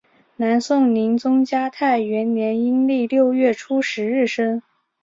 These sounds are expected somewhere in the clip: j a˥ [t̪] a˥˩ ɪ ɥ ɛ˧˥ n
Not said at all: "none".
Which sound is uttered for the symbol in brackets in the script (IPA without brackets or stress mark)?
t̪ʰ